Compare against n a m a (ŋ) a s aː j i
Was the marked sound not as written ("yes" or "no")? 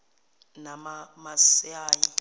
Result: yes